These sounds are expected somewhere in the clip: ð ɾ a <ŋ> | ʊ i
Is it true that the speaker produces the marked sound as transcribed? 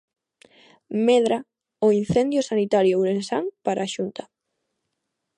no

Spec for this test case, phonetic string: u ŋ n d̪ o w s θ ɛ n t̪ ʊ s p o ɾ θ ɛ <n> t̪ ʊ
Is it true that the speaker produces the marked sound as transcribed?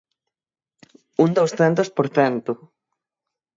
yes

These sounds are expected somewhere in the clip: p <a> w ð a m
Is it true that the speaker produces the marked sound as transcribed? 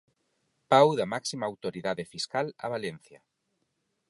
yes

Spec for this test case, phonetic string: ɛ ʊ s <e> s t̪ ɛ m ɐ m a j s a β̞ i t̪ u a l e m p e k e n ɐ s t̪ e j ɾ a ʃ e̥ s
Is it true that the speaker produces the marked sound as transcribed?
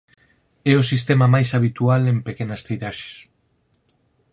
no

